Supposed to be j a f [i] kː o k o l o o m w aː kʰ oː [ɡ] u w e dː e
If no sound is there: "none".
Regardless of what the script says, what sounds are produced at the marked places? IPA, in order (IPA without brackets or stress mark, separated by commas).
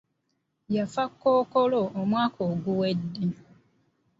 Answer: a, ɡ